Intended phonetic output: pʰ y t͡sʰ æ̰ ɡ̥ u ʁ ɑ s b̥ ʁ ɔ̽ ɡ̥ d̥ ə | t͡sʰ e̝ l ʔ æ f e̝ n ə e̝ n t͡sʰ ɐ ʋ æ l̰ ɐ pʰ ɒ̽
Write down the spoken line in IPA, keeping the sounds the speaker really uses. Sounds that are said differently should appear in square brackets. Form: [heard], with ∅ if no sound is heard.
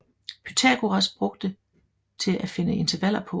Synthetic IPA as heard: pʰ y t͡sʰ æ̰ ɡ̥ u ʁ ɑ s b̥ ʁ ɔ̽ ɡ̥ d̥ ə | t͡sʰ e̝ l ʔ æ f e̝ n ə e̝ n t͡sʰ ɐ ʋ æ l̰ ɐ pʰ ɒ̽